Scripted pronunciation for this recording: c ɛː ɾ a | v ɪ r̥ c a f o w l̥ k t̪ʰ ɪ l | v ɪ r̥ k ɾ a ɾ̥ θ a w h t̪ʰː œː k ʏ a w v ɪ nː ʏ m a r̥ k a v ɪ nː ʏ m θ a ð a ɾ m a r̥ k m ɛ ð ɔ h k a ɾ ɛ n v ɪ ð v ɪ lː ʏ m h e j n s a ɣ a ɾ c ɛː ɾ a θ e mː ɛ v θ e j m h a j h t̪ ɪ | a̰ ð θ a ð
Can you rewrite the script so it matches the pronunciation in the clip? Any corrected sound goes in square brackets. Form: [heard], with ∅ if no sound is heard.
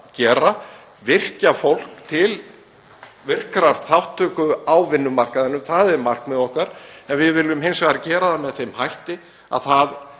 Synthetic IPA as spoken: c ɛː ɾ a | v ɪ r̥ c a f o w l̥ k t̪ʰ ɪ l | v ɪ r̥ k ɾ a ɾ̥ θ a w h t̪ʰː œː k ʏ a w v ɪ nː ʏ m a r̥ k a [ð] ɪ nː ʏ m θ a ð [ɛ] ɾ m a r̥ k m ɛ ð ɔ h k a ɾ ɛ n v ɪ ð v ɪ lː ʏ m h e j n s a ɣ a ɾ c ɛː ɾ a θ [a] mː ɛ [ð] θ e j m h a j h t̪ ɪ | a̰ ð θ a ð